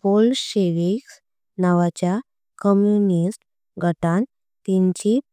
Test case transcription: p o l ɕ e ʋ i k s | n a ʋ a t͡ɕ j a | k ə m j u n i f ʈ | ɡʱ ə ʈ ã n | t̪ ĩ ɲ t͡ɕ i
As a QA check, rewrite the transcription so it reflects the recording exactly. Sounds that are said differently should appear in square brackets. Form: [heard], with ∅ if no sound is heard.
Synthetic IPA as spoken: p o l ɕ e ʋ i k s | n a ʋ a t͡ɕ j a | k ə m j u n i [s] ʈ | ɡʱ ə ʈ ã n | t̪ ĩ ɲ t͡ɕ i